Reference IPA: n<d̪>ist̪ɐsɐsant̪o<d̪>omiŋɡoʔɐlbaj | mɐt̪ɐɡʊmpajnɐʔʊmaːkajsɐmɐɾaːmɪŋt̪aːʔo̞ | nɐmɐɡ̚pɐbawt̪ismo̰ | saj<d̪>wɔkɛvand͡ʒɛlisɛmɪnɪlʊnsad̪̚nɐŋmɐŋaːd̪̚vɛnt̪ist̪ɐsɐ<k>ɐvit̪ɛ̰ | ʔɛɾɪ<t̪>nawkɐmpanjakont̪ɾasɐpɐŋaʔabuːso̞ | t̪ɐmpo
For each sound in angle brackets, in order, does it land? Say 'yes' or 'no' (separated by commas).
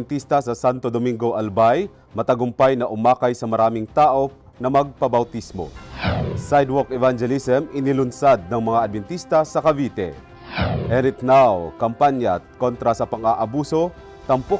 no, yes, yes, yes, yes